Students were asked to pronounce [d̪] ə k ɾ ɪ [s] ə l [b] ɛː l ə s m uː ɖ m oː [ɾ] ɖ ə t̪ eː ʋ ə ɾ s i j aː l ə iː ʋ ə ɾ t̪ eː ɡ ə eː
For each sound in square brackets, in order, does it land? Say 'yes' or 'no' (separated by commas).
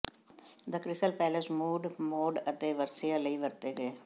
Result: yes, yes, no, no